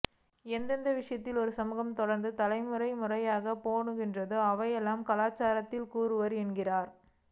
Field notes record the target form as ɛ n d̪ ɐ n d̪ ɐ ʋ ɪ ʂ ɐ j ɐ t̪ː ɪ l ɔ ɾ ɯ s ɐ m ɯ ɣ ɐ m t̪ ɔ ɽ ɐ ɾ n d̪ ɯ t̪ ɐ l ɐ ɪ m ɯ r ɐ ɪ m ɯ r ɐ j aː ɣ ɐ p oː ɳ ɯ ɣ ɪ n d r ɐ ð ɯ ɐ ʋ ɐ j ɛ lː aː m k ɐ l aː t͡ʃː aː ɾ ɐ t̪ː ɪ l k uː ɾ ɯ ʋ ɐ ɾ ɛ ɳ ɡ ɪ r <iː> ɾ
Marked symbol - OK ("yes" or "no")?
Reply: no